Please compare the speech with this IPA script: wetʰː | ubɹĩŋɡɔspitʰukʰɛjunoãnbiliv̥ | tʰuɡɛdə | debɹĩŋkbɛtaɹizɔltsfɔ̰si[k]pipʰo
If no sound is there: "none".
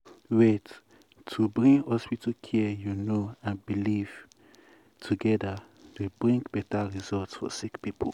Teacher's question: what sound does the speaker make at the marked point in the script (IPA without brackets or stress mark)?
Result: k